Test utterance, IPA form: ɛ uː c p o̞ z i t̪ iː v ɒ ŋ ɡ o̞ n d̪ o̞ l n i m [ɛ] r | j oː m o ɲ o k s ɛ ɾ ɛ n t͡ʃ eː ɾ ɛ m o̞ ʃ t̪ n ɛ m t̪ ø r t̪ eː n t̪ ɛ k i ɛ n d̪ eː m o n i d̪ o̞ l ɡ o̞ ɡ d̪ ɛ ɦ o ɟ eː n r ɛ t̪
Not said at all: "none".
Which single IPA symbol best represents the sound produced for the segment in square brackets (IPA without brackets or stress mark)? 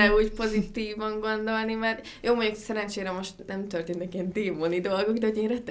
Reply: ɛ